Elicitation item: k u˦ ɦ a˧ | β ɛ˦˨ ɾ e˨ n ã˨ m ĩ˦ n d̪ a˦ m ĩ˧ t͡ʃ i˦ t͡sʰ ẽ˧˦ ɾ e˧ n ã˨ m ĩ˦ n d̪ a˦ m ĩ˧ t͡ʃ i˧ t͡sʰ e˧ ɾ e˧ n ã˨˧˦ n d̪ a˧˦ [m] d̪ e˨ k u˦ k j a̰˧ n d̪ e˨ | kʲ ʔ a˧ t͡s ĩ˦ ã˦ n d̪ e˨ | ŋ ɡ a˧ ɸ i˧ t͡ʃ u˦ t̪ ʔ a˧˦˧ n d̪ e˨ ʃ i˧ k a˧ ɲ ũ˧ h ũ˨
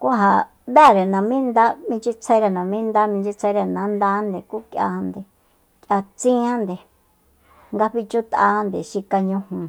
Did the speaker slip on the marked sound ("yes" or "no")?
yes